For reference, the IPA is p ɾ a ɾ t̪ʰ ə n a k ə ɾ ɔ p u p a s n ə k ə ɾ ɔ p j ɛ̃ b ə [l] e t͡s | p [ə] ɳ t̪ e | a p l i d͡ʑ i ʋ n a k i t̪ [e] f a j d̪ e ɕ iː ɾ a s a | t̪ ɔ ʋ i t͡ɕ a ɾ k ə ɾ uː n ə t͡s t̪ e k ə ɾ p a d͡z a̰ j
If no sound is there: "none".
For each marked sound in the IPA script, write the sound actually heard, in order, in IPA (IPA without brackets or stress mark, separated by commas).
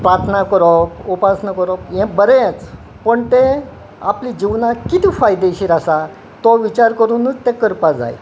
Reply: ɾ, ə, i